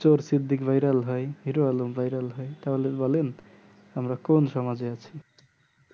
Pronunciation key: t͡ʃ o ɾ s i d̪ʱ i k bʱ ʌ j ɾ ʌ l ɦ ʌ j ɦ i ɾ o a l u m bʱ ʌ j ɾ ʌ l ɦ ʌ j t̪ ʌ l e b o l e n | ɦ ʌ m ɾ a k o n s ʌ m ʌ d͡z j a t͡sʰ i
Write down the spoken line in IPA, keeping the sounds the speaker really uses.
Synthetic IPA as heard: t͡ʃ o ɾ s i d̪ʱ i k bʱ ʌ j ɾ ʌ l ɦ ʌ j ɦ i ɾ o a l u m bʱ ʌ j ɾ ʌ l ɦ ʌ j t̪ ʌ l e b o l e n | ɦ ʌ m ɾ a k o n s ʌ m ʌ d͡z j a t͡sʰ i